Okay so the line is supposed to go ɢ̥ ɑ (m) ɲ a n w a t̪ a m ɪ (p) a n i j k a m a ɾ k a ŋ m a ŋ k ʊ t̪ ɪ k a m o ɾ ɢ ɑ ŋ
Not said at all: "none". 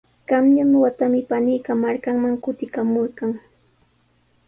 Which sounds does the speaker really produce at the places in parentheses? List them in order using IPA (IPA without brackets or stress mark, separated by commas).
m, p